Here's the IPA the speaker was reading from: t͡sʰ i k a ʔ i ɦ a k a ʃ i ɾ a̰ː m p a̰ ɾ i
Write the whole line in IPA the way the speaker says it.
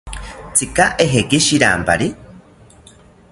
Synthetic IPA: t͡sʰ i k a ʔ e ɦ e k i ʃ i ɾ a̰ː m p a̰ ɾ i